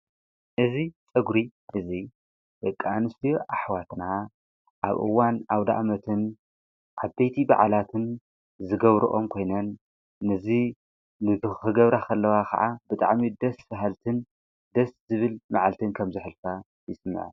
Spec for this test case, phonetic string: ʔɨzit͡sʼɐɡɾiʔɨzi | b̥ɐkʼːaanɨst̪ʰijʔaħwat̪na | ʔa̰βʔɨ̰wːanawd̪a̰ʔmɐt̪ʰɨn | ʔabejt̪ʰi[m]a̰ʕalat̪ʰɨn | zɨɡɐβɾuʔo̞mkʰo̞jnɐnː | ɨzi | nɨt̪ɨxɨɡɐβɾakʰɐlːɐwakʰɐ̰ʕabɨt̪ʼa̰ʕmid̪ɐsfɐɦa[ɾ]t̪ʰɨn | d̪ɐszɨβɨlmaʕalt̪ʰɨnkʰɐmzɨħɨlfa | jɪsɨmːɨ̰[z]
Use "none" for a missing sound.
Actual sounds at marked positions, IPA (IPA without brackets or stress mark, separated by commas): b, l, ʕ